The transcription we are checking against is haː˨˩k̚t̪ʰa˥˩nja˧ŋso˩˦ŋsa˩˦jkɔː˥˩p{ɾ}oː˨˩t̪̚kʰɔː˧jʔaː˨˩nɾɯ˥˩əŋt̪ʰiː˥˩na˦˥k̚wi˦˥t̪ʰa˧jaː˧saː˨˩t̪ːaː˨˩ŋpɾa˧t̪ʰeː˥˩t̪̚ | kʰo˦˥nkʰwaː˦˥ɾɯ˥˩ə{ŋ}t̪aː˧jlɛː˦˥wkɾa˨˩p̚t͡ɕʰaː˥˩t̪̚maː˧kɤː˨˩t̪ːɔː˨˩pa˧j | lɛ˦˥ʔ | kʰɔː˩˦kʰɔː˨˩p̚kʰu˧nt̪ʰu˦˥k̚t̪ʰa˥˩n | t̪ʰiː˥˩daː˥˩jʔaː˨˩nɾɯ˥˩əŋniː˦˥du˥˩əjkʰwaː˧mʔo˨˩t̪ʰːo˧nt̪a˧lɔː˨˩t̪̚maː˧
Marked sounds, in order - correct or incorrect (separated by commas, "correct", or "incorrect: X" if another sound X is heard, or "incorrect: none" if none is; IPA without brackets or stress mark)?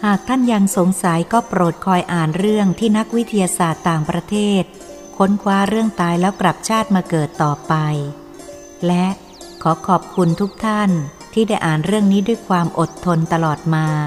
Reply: correct, correct